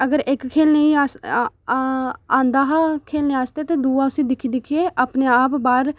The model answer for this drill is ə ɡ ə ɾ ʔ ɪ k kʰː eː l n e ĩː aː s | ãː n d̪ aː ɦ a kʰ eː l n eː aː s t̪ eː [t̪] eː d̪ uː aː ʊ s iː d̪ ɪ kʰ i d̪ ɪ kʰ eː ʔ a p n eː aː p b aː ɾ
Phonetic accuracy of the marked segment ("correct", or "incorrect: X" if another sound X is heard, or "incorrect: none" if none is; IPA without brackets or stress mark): correct